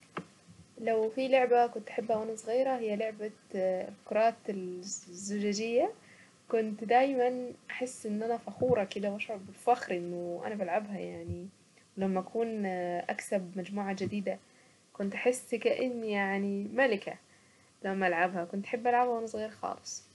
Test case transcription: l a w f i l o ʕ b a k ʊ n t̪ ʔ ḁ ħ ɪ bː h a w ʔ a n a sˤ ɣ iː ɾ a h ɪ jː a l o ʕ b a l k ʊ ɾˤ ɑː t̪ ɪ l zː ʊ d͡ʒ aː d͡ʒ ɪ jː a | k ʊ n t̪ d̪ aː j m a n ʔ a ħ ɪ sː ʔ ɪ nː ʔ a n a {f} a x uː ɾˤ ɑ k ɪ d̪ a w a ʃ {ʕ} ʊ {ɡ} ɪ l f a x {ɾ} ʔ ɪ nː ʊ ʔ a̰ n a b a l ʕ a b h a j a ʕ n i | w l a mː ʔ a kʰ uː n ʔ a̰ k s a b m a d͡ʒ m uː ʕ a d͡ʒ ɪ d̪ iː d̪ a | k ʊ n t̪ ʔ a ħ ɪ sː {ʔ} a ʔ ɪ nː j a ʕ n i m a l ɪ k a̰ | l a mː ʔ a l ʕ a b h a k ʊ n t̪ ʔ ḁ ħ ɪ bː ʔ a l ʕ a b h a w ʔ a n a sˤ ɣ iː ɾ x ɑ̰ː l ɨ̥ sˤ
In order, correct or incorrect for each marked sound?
correct, correct, incorrect: b, correct, incorrect: k

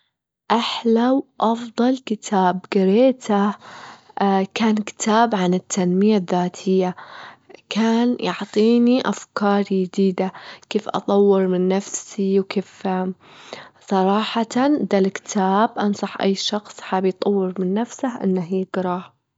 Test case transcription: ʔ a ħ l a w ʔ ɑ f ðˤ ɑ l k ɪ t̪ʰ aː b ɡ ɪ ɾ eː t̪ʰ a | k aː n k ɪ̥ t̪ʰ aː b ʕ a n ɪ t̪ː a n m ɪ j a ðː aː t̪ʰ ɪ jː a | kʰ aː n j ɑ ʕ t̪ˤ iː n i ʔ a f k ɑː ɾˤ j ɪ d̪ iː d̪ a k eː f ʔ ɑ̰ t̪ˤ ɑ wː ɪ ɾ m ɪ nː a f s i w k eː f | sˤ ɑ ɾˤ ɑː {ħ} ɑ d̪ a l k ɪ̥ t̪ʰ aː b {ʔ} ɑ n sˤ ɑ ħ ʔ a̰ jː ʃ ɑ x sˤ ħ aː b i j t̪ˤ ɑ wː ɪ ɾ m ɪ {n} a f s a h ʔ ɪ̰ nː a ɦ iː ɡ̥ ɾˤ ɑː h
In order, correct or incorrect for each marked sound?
correct, correct, incorrect: nː

